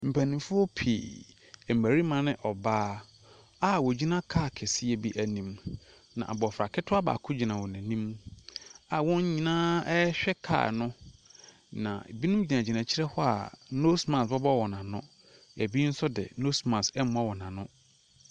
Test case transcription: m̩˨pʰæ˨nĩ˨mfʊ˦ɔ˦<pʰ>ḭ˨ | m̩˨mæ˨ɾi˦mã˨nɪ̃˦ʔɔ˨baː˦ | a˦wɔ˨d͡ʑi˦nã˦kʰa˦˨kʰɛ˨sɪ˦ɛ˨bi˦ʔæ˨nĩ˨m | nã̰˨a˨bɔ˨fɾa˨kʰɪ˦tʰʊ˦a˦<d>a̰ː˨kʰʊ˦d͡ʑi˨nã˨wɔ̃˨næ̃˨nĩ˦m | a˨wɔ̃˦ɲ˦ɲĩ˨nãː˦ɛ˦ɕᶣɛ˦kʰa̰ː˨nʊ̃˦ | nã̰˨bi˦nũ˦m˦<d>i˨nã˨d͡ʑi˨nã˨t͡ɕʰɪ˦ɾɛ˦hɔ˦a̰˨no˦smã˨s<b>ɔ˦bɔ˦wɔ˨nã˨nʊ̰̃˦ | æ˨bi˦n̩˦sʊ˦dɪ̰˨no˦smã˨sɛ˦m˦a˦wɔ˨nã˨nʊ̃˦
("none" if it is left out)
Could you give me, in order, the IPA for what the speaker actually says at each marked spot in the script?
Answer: pʰ, b, d͡ʑ, b

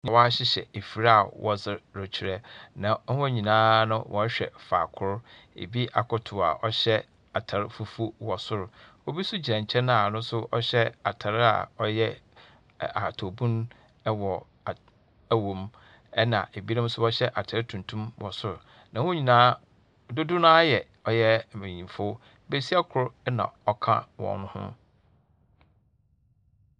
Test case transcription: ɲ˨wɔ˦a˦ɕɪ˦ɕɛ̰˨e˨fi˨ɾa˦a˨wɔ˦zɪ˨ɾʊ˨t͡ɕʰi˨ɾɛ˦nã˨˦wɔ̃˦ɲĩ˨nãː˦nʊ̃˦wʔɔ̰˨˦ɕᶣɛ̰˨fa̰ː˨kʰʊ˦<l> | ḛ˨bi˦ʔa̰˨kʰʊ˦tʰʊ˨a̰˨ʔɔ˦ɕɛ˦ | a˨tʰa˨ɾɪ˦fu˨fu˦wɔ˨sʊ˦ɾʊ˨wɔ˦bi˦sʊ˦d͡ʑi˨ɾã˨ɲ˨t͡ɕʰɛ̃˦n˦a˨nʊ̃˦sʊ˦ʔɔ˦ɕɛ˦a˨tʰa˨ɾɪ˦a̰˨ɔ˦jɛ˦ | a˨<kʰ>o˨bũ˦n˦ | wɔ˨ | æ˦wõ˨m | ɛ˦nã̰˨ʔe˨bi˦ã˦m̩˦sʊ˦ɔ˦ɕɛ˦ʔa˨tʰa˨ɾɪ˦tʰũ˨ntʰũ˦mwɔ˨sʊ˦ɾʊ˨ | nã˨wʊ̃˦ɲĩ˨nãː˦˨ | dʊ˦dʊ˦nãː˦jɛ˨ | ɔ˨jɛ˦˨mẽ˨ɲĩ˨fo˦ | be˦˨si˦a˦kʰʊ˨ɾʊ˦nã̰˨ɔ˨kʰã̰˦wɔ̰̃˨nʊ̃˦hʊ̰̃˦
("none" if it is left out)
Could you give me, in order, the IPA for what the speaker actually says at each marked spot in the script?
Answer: ɾ, tʰ

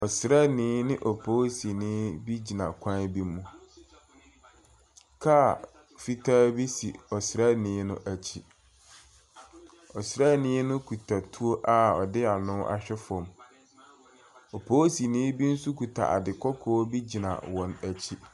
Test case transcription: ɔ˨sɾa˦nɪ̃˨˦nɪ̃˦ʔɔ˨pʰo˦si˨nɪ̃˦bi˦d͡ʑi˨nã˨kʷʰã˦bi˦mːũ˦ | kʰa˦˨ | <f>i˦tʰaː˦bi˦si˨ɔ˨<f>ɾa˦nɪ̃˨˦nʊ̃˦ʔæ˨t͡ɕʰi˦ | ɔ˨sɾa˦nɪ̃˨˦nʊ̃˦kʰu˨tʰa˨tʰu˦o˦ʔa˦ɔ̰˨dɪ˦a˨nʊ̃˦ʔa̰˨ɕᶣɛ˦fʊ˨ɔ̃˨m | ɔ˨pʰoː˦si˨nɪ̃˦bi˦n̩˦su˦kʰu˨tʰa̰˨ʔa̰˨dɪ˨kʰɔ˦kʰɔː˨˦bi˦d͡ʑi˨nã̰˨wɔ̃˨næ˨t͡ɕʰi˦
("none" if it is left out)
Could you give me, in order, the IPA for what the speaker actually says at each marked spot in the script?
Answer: f, s

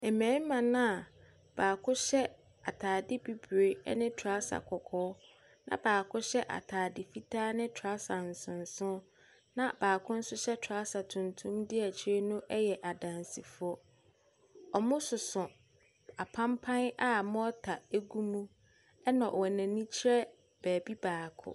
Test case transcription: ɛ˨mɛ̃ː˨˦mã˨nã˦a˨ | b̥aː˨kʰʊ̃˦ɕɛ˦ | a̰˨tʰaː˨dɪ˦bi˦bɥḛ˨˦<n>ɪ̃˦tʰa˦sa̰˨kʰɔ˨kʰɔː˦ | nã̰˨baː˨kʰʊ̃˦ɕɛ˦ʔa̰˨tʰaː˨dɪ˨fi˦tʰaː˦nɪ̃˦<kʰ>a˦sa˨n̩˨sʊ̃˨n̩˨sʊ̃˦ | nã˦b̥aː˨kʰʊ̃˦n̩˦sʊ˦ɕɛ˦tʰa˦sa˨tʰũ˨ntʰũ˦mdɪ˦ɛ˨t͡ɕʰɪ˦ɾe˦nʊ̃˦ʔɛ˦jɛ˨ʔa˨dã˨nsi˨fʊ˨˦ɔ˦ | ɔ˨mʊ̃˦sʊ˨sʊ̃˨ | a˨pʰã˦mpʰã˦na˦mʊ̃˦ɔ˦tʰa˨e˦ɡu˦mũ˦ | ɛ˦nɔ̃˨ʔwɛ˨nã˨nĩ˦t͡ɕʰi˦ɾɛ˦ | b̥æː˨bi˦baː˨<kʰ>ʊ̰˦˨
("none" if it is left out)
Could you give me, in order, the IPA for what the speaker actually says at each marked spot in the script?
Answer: n, tʰ, kʰ

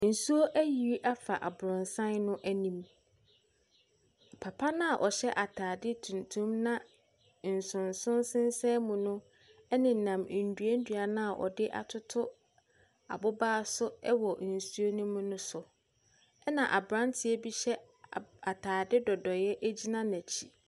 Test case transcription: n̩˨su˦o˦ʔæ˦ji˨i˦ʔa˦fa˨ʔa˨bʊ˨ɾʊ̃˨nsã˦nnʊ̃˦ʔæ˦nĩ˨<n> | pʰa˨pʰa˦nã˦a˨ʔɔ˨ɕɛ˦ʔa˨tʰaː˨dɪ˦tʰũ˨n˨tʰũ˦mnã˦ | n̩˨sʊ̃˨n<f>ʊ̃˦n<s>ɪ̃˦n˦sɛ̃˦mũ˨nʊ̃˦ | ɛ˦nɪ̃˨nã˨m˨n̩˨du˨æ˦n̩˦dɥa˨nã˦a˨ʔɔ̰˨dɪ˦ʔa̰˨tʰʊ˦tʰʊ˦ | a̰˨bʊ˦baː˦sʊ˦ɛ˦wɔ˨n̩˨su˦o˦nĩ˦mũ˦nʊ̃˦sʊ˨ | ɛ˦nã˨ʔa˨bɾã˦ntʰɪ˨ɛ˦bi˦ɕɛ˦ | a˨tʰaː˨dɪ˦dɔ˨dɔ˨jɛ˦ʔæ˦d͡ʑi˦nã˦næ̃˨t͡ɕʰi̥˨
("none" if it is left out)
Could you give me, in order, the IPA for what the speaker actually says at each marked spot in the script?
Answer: m, s, s

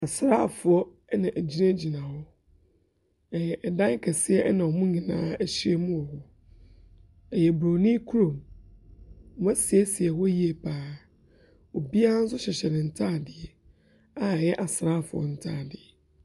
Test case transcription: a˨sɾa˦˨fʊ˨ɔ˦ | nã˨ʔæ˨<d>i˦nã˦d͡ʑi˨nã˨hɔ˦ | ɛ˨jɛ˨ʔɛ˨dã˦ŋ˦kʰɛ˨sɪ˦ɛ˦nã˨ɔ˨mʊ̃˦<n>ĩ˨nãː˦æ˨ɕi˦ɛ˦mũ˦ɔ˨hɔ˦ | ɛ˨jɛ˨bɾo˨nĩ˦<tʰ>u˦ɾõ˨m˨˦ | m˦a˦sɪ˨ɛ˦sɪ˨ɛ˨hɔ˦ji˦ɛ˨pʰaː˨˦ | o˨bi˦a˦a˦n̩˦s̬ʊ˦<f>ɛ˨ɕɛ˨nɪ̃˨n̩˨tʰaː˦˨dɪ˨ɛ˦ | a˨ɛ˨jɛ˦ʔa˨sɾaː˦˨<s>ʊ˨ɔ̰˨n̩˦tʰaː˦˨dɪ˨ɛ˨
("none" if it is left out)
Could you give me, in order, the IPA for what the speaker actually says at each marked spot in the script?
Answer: d͡ʑ, ɲ, kʰ, ɕ, f

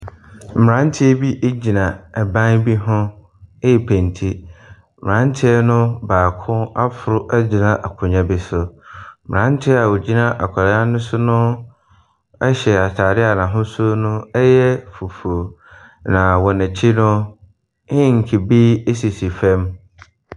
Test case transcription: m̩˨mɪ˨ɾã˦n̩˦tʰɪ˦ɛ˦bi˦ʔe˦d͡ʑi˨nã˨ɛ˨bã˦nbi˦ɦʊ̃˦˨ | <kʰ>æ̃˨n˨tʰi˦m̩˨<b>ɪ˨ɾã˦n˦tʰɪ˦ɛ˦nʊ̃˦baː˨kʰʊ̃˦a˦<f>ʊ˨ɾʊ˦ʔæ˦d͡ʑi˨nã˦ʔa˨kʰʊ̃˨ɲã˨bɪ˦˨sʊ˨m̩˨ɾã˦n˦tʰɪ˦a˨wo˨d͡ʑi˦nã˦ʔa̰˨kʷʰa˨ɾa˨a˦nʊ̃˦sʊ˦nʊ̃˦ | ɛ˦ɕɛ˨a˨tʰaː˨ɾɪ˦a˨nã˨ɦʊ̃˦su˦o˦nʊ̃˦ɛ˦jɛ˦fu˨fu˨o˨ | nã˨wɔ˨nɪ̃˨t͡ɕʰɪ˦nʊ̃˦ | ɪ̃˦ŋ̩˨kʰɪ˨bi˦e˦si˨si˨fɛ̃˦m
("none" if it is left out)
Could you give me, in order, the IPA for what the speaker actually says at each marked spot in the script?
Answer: pʰ, m, f

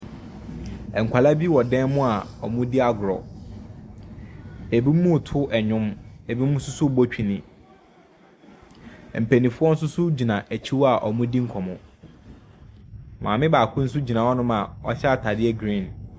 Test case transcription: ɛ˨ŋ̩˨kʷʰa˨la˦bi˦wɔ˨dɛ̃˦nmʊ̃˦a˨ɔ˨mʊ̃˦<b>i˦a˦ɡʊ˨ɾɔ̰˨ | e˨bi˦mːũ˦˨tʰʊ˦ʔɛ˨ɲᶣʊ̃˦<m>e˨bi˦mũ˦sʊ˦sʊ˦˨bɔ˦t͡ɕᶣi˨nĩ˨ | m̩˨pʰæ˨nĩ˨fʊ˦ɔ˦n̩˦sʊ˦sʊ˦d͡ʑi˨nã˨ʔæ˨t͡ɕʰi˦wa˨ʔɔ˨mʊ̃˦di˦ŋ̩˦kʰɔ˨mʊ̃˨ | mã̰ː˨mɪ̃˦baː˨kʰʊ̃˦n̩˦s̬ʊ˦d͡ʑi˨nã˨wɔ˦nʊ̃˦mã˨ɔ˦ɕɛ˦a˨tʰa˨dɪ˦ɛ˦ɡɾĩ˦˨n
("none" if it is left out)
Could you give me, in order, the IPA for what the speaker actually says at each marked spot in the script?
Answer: d, m

